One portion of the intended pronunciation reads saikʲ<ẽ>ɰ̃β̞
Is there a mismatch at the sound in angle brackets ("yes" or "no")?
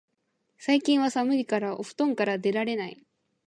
yes